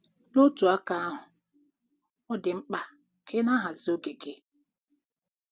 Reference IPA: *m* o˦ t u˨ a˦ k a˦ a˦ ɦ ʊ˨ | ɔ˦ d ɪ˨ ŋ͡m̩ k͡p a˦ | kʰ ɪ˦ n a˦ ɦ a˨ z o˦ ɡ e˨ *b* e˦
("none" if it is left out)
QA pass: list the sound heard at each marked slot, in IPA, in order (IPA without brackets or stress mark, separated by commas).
n, ɡ